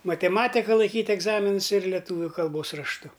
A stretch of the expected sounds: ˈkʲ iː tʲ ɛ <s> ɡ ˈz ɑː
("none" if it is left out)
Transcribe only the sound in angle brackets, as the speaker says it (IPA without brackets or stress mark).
none